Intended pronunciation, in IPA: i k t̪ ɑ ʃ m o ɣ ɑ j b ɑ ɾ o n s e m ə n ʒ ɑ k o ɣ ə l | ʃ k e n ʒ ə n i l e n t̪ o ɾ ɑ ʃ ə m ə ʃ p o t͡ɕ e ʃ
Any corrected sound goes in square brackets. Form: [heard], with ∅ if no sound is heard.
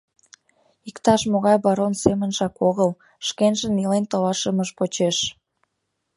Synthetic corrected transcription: i k t̪ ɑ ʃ m o ɣ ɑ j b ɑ ɾ o n s e m ə n ʒ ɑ k o ɣ ə l | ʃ k e n ʒ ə n i l e n t̪ o [l] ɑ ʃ ə m ə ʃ p o t͡ɕ e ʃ